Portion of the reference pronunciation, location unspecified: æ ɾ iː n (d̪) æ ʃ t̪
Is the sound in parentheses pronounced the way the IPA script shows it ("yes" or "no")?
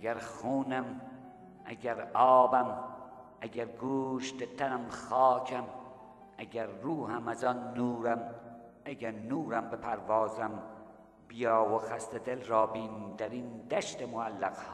yes